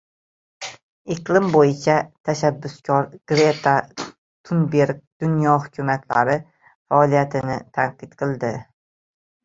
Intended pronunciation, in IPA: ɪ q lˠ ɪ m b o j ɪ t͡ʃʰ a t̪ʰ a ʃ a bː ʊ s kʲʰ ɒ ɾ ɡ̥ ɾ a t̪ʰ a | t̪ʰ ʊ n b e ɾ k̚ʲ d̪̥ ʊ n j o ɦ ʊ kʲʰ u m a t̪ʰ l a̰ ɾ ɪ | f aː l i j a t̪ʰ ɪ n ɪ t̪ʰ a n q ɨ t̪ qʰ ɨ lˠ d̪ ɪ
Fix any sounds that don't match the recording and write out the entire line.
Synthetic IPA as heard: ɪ q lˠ ɪ m b o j ɪ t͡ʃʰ a t̪ʰ a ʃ a bː ʊ s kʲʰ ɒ ɾ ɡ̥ ɾ e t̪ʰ a | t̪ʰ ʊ n b e ɾ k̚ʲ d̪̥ ʊ n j ɒ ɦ ʊ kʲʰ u m a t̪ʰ l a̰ ɾ ɪ | f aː l i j a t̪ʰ ɪ n ɪ t̪ʰ a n q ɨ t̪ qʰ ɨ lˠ d̪ ɪ